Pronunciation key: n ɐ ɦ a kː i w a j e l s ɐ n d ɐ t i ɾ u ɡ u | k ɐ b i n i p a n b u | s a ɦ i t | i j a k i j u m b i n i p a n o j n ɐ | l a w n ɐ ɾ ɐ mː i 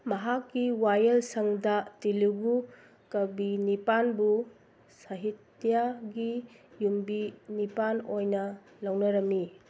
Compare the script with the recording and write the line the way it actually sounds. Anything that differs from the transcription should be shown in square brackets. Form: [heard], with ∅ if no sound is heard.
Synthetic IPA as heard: [m] ɐ ɦ a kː i w a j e l s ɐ [ŋ] d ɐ t i [l] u ɡ u | k ɐ b i n i p a n b u | s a ɦ i t | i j a [ɡ] i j u m b i n i p a n o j n ɐ | l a w n ɐ ɾ ɐ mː i